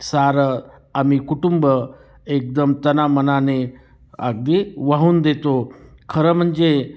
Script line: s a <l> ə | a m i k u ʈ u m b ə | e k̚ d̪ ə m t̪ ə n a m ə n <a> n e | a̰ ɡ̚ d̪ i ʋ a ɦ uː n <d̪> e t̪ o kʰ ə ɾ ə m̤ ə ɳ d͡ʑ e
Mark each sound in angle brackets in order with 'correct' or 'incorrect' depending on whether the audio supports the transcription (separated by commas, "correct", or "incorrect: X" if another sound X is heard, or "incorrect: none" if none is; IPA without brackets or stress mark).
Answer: incorrect: ɾ, correct, correct